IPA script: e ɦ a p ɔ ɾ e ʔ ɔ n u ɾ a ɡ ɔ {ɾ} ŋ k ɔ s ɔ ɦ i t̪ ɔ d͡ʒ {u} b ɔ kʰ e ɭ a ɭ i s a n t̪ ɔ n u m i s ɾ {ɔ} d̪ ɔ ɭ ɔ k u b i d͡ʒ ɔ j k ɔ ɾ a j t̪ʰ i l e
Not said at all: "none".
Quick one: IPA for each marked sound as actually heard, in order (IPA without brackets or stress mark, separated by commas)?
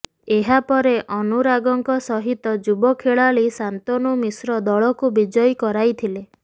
none, u, ɔ